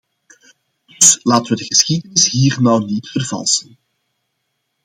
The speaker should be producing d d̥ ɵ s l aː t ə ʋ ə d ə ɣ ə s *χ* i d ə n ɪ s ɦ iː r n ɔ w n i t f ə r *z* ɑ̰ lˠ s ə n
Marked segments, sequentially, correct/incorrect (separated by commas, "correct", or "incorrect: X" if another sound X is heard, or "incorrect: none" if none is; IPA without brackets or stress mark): incorrect: x, incorrect: v